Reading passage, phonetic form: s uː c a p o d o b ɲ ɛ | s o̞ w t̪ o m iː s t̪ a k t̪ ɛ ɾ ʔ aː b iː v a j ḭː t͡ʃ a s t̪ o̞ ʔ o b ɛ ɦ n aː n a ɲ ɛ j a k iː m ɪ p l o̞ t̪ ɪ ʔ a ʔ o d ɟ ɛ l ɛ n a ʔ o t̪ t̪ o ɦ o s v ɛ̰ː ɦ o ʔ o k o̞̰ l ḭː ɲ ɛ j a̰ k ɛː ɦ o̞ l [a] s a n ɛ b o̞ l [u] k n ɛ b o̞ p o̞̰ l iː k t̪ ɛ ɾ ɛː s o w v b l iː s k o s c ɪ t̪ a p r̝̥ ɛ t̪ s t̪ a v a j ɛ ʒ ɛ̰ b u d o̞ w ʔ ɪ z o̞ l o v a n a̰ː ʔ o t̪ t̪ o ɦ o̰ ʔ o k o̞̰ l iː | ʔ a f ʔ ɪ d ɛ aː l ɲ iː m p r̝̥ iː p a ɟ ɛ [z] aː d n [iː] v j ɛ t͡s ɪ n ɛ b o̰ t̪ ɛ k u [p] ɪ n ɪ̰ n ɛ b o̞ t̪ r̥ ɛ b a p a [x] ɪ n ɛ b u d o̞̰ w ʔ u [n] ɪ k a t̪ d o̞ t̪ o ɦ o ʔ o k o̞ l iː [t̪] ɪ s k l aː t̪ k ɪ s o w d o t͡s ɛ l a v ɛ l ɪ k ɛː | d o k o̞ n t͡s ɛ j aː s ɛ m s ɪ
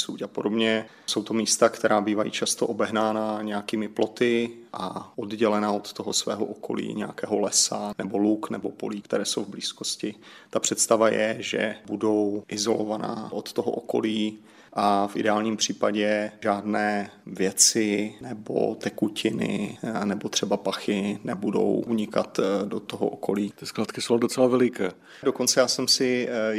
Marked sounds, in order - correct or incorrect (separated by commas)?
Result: incorrect, correct, incorrect, incorrect, incorrect, correct, incorrect, correct